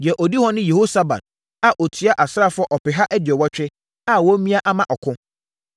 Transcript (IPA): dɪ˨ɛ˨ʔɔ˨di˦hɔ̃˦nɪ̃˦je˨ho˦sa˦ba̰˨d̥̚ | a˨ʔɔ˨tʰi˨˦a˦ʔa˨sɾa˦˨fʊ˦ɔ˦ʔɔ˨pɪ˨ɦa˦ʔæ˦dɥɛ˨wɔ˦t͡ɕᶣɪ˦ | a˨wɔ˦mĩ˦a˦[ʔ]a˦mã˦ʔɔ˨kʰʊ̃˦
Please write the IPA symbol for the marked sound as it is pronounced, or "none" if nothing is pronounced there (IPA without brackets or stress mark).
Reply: ʔ